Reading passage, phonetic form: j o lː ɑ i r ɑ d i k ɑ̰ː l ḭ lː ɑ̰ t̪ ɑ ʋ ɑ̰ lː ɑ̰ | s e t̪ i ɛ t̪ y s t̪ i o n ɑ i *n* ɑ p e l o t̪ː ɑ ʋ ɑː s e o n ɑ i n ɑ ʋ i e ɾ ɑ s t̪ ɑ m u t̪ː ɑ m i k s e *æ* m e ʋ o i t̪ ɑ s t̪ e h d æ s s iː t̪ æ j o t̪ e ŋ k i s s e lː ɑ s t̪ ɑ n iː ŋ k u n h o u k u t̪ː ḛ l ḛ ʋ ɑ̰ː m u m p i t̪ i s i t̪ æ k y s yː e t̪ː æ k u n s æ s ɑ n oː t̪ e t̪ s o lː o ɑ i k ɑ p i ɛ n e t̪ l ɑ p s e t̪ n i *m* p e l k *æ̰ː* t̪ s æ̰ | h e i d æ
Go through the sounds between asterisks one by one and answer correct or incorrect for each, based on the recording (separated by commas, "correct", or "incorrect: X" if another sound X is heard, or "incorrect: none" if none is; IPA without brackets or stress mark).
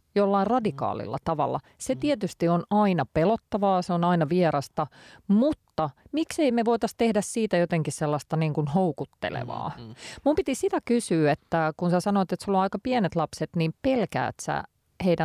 correct, incorrect: i, correct, correct